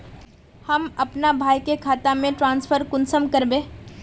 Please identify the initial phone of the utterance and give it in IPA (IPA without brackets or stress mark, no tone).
h